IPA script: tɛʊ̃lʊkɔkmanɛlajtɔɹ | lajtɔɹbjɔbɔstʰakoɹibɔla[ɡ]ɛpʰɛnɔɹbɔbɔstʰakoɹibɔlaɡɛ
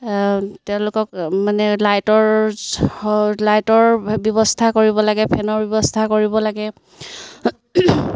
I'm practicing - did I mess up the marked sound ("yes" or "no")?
no